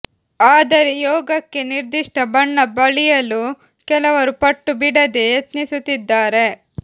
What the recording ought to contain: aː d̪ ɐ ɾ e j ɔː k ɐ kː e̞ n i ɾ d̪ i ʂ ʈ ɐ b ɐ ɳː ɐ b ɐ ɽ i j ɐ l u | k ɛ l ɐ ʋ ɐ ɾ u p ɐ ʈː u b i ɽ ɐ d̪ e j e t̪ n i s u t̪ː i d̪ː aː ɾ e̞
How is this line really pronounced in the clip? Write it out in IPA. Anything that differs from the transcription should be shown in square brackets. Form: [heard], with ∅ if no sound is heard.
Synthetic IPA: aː d̪ ɐ ɾ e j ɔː [ɡ] ɐ kː e̞ n i ɾ d̪ i ʂ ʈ ɐ b ɐ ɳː ɐ b ɐ [ɭ] i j ɐ l u | k ɛ l ɐ ʋ ɐ ɾ u p ɐ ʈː u b i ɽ ɐ d̪ e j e t̪ n i s u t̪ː i d̪ː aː ɾ e̞